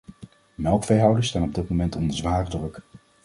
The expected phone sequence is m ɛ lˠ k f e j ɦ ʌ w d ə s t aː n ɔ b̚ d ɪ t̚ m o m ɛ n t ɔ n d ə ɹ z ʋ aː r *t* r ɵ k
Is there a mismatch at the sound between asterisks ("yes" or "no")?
yes